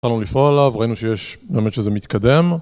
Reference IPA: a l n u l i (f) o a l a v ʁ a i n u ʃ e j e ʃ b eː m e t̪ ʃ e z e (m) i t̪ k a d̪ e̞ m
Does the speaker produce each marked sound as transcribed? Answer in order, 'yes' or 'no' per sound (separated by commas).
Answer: yes, yes